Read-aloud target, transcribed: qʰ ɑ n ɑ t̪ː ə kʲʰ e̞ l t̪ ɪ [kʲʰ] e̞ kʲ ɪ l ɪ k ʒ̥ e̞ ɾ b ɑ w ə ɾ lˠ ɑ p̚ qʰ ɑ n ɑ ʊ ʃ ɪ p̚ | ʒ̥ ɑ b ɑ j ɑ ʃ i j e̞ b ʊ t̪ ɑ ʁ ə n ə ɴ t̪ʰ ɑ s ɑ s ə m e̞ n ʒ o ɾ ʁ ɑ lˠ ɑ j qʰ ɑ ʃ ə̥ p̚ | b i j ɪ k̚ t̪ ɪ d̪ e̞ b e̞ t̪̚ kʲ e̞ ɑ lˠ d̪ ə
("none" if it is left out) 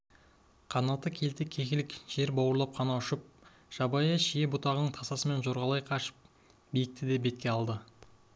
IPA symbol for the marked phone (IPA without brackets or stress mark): kʲʰ